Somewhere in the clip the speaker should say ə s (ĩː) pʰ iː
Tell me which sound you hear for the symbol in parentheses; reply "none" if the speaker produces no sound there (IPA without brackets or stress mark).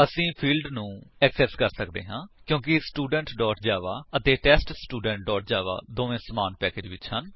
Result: ĩː